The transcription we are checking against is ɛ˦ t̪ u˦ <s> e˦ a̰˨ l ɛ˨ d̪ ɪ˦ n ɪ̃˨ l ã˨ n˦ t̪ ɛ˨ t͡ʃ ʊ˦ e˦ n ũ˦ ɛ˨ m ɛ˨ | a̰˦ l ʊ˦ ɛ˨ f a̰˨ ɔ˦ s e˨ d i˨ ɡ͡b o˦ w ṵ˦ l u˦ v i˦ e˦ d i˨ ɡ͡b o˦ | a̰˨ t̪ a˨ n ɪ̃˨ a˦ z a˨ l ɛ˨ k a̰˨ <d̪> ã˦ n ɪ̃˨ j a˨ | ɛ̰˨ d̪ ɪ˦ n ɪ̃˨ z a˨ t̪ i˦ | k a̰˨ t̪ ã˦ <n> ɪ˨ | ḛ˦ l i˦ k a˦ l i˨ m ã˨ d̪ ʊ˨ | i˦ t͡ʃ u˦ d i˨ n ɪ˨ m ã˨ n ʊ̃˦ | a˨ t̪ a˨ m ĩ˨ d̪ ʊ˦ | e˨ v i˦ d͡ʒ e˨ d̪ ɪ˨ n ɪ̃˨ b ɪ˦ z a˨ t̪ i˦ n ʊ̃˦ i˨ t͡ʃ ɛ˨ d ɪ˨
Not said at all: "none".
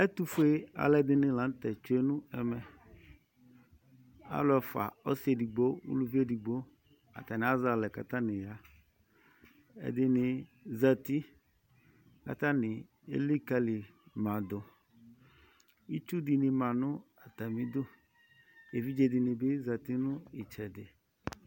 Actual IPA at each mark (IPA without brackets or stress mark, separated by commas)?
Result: f, t̪, n